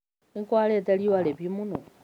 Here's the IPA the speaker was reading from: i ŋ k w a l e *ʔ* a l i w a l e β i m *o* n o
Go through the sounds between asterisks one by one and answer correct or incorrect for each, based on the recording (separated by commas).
incorrect, incorrect